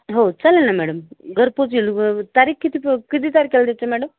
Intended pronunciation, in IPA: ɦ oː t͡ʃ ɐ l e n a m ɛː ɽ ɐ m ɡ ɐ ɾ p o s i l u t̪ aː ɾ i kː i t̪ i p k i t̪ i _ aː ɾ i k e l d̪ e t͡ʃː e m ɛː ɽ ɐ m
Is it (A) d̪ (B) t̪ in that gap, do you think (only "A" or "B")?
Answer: B